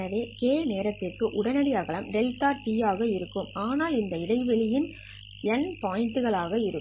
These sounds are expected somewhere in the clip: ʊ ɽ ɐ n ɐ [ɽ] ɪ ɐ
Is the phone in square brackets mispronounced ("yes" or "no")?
no